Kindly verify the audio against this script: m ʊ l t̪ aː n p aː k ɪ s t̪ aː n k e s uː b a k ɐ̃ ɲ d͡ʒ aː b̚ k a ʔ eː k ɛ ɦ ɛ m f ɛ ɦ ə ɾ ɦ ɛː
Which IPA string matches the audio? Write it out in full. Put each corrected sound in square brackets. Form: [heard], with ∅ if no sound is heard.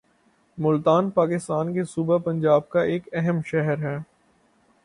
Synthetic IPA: m ʊ l t̪ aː n p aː k ɪ s t̪ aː n k e s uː b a [p] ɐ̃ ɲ d͡ʒ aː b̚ k a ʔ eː k ɛ ɦ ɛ m [ʃ] ɛ ɦ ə ɾ ɦ ɛː